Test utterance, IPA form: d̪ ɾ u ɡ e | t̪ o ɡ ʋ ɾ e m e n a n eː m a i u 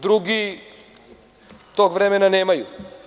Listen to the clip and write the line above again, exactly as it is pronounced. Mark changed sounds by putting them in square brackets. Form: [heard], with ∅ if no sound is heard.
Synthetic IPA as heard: d̪ ɾ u ɡ [i] | t̪ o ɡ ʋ ɾ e m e n a n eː m a [j] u

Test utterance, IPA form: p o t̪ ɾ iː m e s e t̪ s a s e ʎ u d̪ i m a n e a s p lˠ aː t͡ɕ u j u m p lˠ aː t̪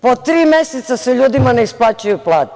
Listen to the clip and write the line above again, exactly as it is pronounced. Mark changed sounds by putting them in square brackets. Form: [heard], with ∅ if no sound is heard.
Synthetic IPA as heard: p o t̪ ɾ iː m e s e t̪ s a s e ʎ [uː] d̪ i m a n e [i] s p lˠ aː t͡ɕ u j u [∅] p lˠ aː t̪

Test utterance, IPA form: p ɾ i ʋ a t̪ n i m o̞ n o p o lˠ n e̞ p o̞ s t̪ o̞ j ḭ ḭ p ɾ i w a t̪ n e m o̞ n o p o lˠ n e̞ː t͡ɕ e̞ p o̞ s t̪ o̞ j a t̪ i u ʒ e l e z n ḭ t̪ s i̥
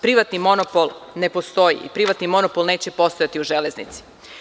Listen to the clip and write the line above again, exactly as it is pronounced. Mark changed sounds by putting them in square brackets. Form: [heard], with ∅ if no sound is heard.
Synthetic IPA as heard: p ɾ i ʋ a t̪ n i m o̞ n o p o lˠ n e̞ p o̞ s t̪ o̞ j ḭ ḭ p ɾ i [ʋ] a t̪ n [i] m o̞ n o p o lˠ n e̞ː t͡ɕ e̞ p o̞ s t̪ o̞ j a t̪ i u ʒ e l e z n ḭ t̪ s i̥

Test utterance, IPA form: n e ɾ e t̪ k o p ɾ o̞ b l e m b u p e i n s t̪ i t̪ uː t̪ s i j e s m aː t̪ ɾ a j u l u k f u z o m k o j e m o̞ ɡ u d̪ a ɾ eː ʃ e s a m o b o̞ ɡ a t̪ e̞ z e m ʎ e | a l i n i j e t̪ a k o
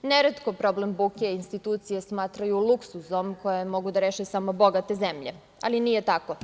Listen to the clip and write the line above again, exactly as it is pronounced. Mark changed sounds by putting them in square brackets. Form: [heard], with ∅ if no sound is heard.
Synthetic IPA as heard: n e ɾ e t̪ k o p ɾ o̞ b l e m b u [k] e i n s t̪ i t̪ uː t̪ s i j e s m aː t̪ ɾ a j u l u k [s] u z o m k o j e m o̞ ɡ u d̪ a ɾ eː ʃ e s a m o b o̞ ɡ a t̪ e̞ z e m ʎ e | a l i n i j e t̪ a k o

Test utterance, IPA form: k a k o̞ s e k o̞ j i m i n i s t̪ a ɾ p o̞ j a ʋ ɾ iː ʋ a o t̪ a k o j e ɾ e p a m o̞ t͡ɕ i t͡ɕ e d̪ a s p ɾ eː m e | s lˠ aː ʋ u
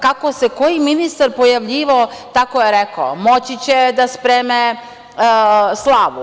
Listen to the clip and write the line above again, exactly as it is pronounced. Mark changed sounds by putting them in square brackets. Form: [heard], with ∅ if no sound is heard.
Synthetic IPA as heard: k a k o̞ s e k o̞ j i m i n i s t̪ a ɾ p o̞ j a ʋ [ʎ] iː ʋ a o t̪ a k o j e ɾ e [k] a m o̞ t͡ɕ i t͡ɕ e d̪ a s p ɾ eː m e | s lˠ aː ʋ u

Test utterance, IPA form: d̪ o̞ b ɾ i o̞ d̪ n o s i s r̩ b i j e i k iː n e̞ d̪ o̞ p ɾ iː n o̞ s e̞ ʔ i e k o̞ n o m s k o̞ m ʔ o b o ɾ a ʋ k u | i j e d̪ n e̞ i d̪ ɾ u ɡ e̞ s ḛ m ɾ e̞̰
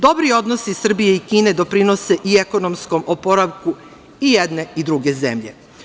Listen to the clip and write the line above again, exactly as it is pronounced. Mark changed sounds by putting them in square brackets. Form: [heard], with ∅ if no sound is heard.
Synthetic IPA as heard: d̪ o̞ b ɾ i o̞ d̪ n o s i s r̩ b i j e i k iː n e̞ d̪ o̞ p ɾ [i] n o̞ s e̞ ʔ i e k o̞ n o m s k o̞ m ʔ o [p] o ɾ a ʋ k u | i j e d̪ n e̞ i d̪ ɾ u ɡ e̞ [z] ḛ m [ʎ] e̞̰

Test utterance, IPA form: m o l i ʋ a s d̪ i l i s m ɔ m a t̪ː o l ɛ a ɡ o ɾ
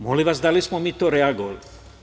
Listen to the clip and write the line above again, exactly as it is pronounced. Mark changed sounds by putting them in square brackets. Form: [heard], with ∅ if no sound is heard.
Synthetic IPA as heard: m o l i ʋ a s d̪ [a] l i s m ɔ m [i] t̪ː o [ɾ] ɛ a ɡ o [l]

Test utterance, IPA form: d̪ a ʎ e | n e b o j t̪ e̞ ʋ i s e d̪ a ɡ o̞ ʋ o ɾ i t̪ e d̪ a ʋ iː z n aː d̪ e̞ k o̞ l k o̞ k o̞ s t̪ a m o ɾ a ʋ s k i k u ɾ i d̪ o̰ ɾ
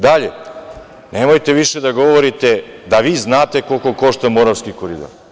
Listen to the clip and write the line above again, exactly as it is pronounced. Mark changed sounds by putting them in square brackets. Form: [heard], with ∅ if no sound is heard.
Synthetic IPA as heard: d̪ a ʎ e | n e [m] o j t̪ e̞ ʋ i [ʃ] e d̪ a ɡ o̞ ʋ o ɾ i t̪ e d̪ a ʋ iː z n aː [t̪] e̞ k o̞ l k o̞ k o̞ [ʃ] t̪ a m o ɾ a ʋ s k i k [o] ɾ i d̪ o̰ ɾ

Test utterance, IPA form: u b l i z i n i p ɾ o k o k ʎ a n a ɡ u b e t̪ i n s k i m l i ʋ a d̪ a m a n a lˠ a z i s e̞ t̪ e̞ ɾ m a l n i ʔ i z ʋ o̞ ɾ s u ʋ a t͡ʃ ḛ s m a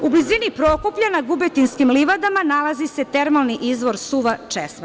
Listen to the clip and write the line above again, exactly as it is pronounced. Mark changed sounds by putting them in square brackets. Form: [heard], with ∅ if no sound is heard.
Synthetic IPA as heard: u b l i z i n i p ɾ o k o [p] ʎ a n a ɡ u b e t̪ i n s k i m l i ʋ a d̪ a m a n a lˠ a z i s e̞ t̪ e̞ ɾ m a l n i ʔ i z ʋ o̞ ɾ s u ʋ a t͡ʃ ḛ s m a

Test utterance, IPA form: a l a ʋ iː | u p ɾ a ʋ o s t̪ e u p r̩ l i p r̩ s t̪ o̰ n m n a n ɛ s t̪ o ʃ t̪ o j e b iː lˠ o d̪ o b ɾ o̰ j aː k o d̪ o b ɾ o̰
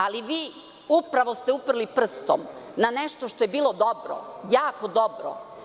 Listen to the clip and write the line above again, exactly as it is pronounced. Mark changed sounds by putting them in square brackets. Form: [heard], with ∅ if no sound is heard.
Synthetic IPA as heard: a l [i] ʋ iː | u p ɾ a ʋ o s t̪ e u p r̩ l i p r̩ s t̪ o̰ [∅] m n a n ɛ [ʃ] t̪ o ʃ t̪ o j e b iː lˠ o d̪ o b ɾ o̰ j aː k o d̪ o b ɾ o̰

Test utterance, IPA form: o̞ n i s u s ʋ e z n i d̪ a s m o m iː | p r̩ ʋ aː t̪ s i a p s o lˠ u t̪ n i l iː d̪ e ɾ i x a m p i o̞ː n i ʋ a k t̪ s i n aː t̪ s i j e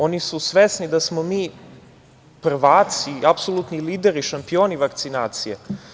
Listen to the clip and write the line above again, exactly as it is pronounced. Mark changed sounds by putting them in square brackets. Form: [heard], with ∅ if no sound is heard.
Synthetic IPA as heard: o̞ n i s u s ʋ e [s] n i d̪ a s m o m iː | p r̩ ʋ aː t̪ s i a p s o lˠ u t̪ n i l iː d̪ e ɾ i [ʃ] a m p i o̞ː n i ʋ a k t̪ s i n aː t̪ s i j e

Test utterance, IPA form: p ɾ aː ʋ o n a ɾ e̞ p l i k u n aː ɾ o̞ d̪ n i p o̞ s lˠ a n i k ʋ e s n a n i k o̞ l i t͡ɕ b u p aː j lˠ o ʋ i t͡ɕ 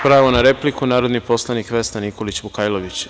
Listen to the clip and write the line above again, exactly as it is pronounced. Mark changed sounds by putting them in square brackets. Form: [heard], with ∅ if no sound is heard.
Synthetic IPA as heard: p ɾ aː ʋ o n a ɾ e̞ p l i k u n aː ɾ o̞ d̪ n i p o̞ s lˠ a n i k ʋ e s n a n i k o̞ l i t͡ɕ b u [k] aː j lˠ o ʋ i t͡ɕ

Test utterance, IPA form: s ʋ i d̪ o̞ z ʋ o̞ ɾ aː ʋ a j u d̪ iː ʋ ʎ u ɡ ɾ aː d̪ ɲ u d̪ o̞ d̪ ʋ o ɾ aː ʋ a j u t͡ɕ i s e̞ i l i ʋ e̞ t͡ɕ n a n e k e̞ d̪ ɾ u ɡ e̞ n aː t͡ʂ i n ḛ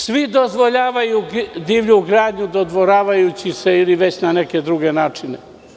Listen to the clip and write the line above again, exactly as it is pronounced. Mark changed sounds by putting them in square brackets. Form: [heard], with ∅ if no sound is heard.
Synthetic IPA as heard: s ʋ i d̪ o̞ z ʋ o̞ [ʎ] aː ʋ a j u d̪ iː ʋ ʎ u ɡ ɾ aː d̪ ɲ u d̪ o̞ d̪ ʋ o ɾ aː ʋ a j u t͡ɕ i s e̞ i l i ʋ e̞ t͡ɕ n a n e k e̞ d̪ ɾ u ɡ e̞ n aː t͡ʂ i n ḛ

